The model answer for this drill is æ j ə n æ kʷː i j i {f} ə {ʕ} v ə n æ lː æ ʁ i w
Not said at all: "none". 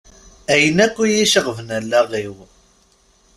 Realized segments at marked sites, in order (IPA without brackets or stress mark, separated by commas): ʃ, ʁ